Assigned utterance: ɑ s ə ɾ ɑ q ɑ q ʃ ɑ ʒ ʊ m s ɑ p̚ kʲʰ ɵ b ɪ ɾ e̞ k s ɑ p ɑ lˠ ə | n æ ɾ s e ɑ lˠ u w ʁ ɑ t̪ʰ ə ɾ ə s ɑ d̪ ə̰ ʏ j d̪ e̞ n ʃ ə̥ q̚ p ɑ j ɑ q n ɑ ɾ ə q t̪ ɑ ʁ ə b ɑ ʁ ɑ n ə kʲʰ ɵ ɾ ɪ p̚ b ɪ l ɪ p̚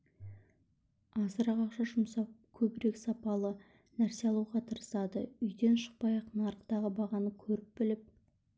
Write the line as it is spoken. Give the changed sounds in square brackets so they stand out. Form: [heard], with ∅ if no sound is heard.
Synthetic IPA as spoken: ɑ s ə ɾ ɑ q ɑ q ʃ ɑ ʒ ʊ m s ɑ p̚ kʲʰ ɵ b ɪ ɾ e̞ k s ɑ p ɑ lˠ ə | n æ ɾ s e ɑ lˠ u w ʁ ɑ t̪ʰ ə ɾ ə s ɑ d̪ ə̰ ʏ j d̪ e̞ n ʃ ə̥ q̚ p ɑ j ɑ q n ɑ ɾ ə q t̪ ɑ ʁ ə b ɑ ʁ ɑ n ə kʲʰ ɵ ɾ ɪ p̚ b ɪ l ɪ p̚

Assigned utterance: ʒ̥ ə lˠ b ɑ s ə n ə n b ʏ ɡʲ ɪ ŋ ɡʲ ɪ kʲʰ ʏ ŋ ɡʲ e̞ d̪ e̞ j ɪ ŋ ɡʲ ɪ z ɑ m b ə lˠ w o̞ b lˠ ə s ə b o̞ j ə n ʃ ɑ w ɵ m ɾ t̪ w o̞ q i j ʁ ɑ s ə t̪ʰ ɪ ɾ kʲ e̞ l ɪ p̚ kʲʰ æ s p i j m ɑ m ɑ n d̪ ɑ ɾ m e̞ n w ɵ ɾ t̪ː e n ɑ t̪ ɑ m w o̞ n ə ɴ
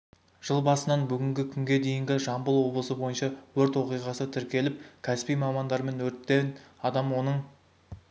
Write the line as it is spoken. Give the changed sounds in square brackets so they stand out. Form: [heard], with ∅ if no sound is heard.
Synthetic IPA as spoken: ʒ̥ ə lˠ b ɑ s ə n [ɑ] n b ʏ ɡʲ ɪ ŋ ɡʲ ɪ kʲʰ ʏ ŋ ɡʲ e̞ d̪ e̞ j ɪ ŋ ɡʲ ɪ [ʒ] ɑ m b ə lˠ w o̞ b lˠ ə s ə b o̞ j ə n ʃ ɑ w ɵ [∅] ɾ t̪ w o̞ q i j ʁ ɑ s ə t̪ʰ ɪ ɾ kʲ e̞ l ɪ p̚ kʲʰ æ s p i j m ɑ m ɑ n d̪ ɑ ɾ m e̞ n w ɵ ɾ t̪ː e n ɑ [d̪] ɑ m w o̞ n ə ɴ

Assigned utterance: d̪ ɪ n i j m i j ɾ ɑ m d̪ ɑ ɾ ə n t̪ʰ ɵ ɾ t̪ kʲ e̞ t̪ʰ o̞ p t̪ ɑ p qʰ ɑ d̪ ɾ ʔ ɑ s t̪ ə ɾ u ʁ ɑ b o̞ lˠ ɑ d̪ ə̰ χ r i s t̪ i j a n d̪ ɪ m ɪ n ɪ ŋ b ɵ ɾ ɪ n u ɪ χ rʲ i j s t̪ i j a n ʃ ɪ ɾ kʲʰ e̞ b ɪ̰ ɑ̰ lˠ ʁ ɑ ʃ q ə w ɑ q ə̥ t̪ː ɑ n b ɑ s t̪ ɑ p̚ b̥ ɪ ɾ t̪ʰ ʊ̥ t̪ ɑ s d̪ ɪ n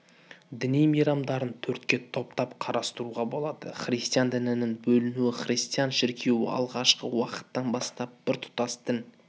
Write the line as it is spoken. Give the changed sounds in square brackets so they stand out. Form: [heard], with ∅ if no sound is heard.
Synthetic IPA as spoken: d̪ ɪ n i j m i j ɾ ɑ m d̪ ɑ ɾ ə n t̪ʰ ɵ ɾ t̪ kʲ e̞ t̪ʰ o̞ p t̪ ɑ p qʰ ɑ [∅] ɾ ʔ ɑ s t̪ ə ɾ u ʁ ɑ b o̞ lˠ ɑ d̪ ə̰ χ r i s t̪ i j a n d̪ ɪ [n] ɪ n ɪ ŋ b ɵ [l] ɪ n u ɪ χ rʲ i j s t̪ i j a n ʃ ɪ ɾ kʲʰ e̞ [w] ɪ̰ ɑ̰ lˠ ʁ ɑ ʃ q ə w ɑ q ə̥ t̪ː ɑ n b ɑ s t̪ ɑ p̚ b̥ ɪ ɾ t̪ʰ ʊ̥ t̪ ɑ s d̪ ɪ n

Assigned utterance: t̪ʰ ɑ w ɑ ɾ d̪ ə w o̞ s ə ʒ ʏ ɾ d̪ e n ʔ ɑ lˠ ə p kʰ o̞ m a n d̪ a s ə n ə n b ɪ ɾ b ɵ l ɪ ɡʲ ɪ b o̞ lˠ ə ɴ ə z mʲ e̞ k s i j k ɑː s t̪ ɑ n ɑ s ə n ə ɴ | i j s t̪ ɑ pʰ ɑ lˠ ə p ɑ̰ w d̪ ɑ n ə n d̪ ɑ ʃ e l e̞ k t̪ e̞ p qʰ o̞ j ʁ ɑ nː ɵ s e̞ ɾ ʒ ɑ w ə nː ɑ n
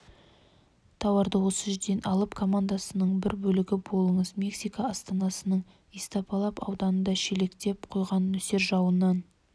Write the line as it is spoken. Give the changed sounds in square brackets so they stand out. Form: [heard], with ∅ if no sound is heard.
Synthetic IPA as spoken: t̪ʰ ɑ w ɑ ɾ d̪ ə w o̞ s ə ʒ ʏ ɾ d̪ e n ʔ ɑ lˠ ə p kʰ o̞ m a n d̪ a s ə n ə [ɴ] b ɪ ɾ b ɵ l ɪ ɡʲ ɪ b o̞ lˠ ə ɴ ə z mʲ e̞ k s i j k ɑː s t̪ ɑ n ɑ s ə n ə ɴ | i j s t̪ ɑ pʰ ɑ lˠ [ɑ] p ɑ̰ w d̪ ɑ n ə n d̪ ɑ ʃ e l e̞ k t̪ e̞ p qʰ o̞ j ʁ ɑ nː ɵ s e̞ ɾ ʒ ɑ w ə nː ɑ n

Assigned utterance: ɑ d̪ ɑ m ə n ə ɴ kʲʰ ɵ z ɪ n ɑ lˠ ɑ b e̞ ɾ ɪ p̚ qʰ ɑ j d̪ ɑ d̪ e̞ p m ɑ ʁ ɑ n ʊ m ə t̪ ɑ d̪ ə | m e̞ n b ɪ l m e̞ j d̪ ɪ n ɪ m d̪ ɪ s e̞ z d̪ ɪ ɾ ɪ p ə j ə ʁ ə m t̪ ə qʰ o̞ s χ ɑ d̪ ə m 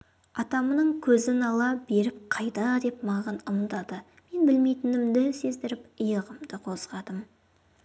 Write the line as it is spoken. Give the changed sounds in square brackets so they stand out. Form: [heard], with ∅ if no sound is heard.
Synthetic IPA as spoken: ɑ [t̪] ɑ m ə n ə ɴ kʲʰ ɵ z ɪ n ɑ lˠ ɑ b e̞ ɾ ɪ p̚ qʰ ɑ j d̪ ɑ d̪ e̞ p m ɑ ʁ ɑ n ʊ m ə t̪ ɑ d̪ ə | m e̞ n b ɪ l m e̞ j [t̪] ɪ n ɪ m d̪ ɪ s e̞ z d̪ ɪ ɾ ɪ p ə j ə ʁ ə m [d̪] ə qʰ o̞ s [ʁ] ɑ d̪ ə m

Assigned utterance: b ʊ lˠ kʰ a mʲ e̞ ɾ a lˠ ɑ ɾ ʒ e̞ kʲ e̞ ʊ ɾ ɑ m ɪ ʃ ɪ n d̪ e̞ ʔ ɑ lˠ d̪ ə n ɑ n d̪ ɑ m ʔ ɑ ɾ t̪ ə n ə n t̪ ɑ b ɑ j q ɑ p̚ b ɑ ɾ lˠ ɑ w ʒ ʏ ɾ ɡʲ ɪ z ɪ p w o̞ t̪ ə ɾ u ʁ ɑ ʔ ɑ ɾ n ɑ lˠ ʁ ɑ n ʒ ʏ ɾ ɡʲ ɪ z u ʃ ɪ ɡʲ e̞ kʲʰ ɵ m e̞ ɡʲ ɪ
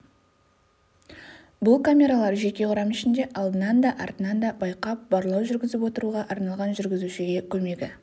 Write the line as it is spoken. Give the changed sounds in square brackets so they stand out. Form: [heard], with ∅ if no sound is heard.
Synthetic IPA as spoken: b ʊ lˠ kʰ a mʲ e̞ ɾ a lˠ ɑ ɾ ʒ e̞ kʲ e̞ ʊ ɾ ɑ m ɪ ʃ ɪ n d̪ e̞ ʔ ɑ lˠ d̪ ə n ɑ n d̪ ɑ [∅] ʔ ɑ ɾ t̪ ə n [ɑ] n [d̪] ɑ b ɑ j q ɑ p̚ b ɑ ɾ lˠ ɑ w ʒ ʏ ɾ ɡʲ ɪ z ɪ p w o̞ t̪ ə ɾ u ʁ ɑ ʔ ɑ ɾ n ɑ lˠ ʁ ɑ n ʒ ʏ ɾ ɡʲ ɪ z u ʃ ɪ ɡʲ e̞ kʲʰ ɵ m e̞ ɡʲ ɪ

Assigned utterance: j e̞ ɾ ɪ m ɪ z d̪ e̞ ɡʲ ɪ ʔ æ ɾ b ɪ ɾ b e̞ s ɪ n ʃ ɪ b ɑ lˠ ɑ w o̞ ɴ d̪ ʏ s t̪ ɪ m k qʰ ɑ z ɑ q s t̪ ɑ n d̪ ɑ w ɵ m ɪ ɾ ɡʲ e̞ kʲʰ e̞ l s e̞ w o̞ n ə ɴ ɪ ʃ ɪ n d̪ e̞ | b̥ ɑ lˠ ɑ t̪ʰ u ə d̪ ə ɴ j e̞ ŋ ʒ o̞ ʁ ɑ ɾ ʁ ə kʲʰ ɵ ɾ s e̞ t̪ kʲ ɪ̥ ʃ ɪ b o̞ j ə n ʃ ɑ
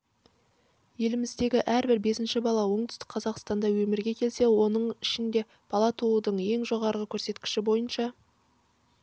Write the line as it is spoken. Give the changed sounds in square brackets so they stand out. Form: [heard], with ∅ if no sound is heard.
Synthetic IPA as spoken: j e̞ [l] ɪ m ɪ z d̪ e̞ ɡʲ ɪ ʔ æ ɾ b ɪ ɾ b e̞ s ɪ n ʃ ɪ b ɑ lˠ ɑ w o̞ ɴ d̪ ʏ s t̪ ɪ [∅] k qʰ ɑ z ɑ q s t̪ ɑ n d̪ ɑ w ɵ m ɪ ɾ ɡʲ e̞ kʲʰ e̞ l s e̞ w o̞ n ə ɴ ɪ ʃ ɪ n d̪ e̞ | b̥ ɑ lˠ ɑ t̪ʰ u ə d̪ ə ɴ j e̞ ŋ ʒ o̞ ʁ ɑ ɾ ʁ ə kʲʰ ɵ ɾ s e̞ t̪ kʲ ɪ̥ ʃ ɪ b o̞ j ə n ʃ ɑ

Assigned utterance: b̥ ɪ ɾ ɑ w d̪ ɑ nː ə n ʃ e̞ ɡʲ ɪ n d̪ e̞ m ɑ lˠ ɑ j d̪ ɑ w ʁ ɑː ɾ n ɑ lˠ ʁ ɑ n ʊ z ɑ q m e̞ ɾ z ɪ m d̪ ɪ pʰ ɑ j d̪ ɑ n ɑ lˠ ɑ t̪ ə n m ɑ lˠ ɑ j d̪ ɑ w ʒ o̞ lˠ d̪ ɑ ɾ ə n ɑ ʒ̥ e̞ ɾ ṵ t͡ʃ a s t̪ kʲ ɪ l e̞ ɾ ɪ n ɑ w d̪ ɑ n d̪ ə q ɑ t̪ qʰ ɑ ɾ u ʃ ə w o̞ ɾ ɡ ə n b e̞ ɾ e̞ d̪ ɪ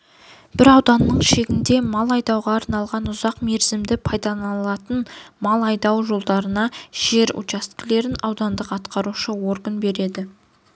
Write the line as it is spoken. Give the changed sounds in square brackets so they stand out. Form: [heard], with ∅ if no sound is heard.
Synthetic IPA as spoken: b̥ ɪ ɾ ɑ w d̪ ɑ nː ə [ɴ] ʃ e̞ ɡʲ ɪ n d̪ e̞ m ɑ lˠ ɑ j d̪ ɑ w ʁ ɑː ɾ n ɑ lˠ ʁ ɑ n ʊ z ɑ q m e̞ ɾ z ɪ m d̪ ɪ pʰ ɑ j d̪ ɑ n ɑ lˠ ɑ t̪ ə n m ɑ lˠ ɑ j d̪ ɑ w ʒ o̞ lˠ d̪ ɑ ɾ ə n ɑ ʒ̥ e̞ ɾ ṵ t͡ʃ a s t̪ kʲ ɪ l e̞ ɾ ɪ n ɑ w d̪ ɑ n d̪ ə q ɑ t̪ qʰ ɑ ɾ u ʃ ə w o̞ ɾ ɡ ə n b e̞ ɾ e̞ d̪ ɪ

